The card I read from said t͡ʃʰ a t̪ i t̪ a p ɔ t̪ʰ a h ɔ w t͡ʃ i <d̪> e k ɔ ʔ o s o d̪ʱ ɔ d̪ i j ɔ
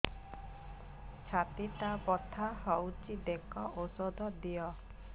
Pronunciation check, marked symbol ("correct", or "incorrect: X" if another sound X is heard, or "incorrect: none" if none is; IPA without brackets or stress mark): correct